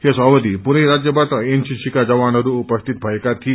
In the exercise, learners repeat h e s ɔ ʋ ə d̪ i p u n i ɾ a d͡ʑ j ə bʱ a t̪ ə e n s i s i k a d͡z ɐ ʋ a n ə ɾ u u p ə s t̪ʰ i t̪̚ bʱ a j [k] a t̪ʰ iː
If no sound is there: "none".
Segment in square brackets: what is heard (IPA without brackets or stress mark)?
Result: k